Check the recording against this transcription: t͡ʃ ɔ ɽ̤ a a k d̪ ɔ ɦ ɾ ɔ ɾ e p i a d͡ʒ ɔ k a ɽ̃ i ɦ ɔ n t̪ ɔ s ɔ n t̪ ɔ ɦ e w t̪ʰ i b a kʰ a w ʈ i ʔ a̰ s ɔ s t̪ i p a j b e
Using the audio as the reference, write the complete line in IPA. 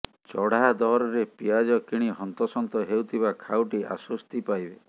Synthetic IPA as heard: t͡ʃ ɔ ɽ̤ a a d̪ ɔ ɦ ɾ ɔ ɾ e p i a d͡ʒ ɔ k i ɽ̃ i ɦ ɔ n t̪ ɔ s ɔ n t̪ ɔ ɦ e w t̪ʰ i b a kʰ a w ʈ i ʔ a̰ s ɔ s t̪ i p a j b e